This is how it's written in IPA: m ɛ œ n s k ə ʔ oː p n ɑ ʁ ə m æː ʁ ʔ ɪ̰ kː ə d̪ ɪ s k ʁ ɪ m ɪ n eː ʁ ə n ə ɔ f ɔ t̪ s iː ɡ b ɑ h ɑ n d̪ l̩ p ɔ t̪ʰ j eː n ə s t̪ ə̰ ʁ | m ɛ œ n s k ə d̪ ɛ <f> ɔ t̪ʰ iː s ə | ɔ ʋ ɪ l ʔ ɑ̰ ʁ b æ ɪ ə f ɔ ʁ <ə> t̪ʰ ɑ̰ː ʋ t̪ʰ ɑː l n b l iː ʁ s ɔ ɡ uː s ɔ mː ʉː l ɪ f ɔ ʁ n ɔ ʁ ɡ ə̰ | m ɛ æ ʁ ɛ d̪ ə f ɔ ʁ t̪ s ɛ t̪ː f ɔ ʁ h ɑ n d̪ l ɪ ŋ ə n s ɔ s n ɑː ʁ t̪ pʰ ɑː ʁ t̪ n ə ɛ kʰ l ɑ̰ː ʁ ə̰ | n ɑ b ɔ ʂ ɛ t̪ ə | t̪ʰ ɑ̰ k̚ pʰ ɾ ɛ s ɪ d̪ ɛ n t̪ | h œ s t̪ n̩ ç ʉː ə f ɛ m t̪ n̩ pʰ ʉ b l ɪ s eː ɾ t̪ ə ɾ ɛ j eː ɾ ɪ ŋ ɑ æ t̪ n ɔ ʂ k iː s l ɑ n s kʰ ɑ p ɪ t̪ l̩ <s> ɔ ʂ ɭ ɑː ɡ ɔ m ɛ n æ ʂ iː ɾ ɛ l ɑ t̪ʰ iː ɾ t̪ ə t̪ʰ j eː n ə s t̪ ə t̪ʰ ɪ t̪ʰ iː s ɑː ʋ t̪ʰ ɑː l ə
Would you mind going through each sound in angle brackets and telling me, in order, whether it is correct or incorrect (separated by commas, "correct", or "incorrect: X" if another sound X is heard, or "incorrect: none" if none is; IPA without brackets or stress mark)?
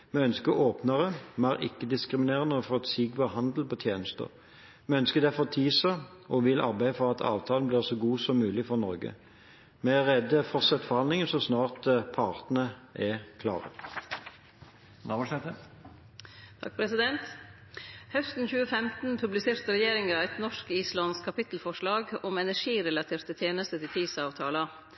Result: correct, incorrect: ɑ, incorrect: f